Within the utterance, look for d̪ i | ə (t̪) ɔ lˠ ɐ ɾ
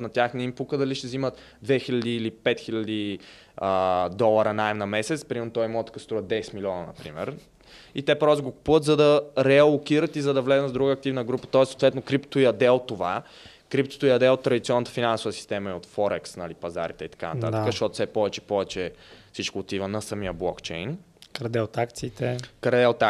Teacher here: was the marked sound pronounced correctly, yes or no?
no